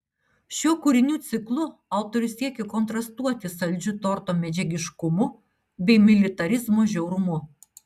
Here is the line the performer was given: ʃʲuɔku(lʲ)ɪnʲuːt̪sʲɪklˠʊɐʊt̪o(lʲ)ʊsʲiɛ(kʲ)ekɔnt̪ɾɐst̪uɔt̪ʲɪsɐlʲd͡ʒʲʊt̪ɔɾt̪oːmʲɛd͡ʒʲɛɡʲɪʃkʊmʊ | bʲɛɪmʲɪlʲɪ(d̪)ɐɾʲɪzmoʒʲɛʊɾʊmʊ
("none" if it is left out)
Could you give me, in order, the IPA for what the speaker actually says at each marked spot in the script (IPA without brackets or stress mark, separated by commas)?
ɾʲ, ɾʲ, kʲ, t̪